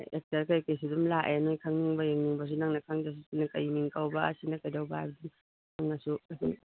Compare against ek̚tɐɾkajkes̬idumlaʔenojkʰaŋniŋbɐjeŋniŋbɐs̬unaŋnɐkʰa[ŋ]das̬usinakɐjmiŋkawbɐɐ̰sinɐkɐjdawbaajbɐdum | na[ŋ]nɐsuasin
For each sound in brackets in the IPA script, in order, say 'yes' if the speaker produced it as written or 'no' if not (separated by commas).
yes, yes